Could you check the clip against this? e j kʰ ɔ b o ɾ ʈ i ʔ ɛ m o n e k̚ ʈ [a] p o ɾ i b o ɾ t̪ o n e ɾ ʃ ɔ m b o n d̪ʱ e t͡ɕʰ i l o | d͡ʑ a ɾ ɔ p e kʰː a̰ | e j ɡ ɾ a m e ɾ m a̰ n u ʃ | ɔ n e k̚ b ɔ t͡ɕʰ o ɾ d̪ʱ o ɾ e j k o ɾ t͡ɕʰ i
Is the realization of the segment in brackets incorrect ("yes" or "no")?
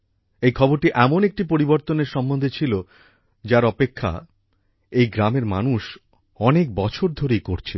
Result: yes